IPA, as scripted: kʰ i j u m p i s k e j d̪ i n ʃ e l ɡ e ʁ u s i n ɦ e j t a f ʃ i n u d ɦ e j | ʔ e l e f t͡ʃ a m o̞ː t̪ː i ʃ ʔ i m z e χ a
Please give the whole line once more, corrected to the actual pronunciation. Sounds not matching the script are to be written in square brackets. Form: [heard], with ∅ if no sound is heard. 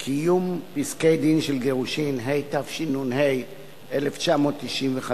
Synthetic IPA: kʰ i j u m p i s k e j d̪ i n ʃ e l ɡ e ʁ u [ʃ] i n ɦ e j t a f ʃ i n u [n] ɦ e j | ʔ e l e f t͡ʃ a m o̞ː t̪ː i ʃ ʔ i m [v] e χ a